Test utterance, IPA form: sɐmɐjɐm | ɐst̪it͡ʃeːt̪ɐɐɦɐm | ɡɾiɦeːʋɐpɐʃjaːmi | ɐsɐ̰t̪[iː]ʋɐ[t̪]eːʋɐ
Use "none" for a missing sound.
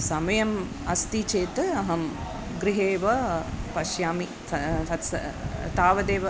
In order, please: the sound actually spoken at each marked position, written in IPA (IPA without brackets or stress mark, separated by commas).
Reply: aː, d̪